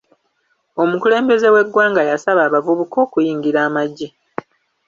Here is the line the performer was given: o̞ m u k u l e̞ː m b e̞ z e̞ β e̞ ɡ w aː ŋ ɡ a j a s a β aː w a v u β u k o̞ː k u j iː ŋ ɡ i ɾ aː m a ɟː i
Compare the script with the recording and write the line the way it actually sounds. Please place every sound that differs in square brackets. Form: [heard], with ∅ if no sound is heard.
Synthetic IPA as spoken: o̞ m u k u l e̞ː m b e̞ z e̞ [w] e̞ ɡ w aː ŋ ɡ a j a s a β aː [β] a v u β u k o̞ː k u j iː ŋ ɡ i ɾ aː m a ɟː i